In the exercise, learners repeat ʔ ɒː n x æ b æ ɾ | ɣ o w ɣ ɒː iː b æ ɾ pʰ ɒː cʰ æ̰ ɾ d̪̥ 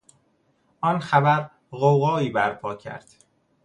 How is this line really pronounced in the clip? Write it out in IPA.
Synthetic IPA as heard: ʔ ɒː n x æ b æ ɾ | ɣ o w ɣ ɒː iː b æ ɾ pʰ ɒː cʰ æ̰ ɾ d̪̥